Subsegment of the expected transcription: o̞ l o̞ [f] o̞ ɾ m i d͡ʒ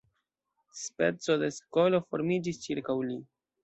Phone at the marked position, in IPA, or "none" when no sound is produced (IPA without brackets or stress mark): f